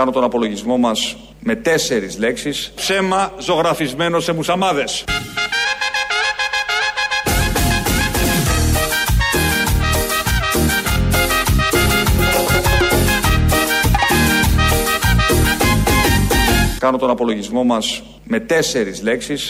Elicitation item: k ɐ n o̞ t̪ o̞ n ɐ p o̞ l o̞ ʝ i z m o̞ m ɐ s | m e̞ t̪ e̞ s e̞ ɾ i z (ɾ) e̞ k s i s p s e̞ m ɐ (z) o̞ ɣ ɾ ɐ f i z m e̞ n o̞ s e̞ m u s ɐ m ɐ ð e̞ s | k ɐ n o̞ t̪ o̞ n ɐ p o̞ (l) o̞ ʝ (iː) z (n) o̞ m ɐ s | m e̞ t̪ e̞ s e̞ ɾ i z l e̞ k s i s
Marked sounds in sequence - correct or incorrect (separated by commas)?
incorrect, correct, correct, incorrect, incorrect